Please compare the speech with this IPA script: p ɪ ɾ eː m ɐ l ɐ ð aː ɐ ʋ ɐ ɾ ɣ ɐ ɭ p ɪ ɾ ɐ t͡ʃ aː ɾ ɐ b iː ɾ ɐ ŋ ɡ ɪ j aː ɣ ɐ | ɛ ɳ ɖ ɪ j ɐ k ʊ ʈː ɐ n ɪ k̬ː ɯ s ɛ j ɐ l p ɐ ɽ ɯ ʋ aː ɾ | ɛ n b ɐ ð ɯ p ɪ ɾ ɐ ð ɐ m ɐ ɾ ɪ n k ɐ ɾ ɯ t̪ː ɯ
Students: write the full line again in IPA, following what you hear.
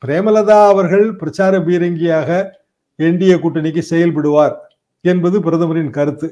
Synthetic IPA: p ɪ ɾ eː m ɐ l ɐ ð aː ɐ ʋ ɐ ɾ ɣ ɐ ɭ p ɪ ɾ ɐ t͡ʃ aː ɾ ɐ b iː ɾ ɐ ŋ ɡ ɪ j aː ɣ ɐ | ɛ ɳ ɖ ɪ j ɐ k ʊ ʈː ɐ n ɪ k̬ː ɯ s ɛ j ɐ l p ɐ ɽ ɯ ʋ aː ɾ | ɛ n b ɐ ð ɯ p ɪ ɾ ɐ ð ɐ m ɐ ɾ ɪ n k ɐ ɾ ɯ t̪ː ɯ